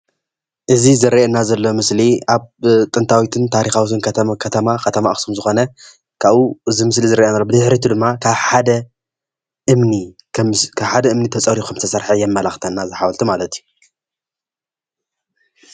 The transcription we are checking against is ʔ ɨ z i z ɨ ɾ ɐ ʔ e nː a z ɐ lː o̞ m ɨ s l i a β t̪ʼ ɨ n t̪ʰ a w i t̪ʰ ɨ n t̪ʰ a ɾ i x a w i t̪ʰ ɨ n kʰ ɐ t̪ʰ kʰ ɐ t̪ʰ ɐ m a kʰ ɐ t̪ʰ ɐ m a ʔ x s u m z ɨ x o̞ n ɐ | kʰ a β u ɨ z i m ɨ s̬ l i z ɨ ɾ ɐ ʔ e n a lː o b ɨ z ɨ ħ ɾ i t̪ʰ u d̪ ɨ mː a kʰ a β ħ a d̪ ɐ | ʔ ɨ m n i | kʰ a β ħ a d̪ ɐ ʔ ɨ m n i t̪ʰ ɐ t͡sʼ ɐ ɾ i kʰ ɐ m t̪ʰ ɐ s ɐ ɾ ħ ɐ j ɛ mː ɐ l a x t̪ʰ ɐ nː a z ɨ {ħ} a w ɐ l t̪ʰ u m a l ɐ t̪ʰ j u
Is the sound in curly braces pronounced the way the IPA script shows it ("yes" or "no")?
yes